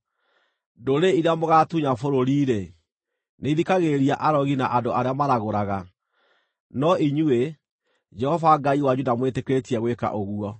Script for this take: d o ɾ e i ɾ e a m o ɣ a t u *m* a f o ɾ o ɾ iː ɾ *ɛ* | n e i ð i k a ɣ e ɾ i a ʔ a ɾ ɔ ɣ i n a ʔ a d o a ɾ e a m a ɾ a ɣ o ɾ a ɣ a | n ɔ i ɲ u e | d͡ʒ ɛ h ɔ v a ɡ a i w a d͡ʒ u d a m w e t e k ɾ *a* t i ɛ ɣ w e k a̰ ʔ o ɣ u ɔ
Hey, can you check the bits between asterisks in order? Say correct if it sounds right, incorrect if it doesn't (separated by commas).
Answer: incorrect, incorrect, incorrect